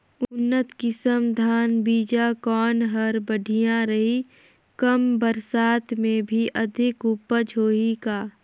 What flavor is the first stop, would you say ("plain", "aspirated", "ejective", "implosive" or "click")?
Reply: plain